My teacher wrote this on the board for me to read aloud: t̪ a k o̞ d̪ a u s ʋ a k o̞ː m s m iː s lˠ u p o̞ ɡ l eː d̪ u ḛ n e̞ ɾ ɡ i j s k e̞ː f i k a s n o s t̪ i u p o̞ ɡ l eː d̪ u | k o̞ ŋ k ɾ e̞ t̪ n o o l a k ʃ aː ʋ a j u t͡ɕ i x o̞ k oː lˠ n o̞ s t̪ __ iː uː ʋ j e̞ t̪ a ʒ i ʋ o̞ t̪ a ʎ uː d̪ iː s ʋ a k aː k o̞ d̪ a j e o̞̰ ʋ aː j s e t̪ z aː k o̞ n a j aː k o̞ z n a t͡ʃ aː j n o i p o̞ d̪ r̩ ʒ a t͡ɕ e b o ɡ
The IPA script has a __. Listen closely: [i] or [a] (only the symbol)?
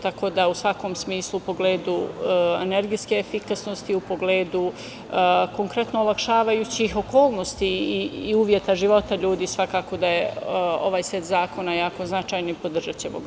i